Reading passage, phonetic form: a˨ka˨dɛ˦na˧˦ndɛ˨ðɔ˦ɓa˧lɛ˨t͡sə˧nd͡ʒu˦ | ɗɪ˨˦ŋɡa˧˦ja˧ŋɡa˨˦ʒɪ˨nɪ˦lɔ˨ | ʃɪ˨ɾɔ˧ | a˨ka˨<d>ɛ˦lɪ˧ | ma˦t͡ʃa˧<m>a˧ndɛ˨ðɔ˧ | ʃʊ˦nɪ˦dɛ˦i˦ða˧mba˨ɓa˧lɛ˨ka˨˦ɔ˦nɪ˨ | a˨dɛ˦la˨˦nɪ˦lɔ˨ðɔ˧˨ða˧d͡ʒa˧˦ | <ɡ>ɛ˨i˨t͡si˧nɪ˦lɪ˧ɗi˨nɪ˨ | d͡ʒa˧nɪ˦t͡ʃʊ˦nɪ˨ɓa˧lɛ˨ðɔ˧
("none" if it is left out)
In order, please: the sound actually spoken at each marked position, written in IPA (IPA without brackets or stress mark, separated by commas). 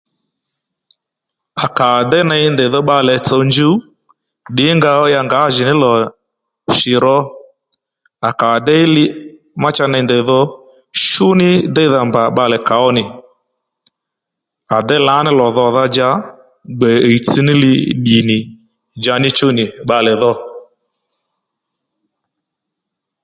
d, n, ɡ͡b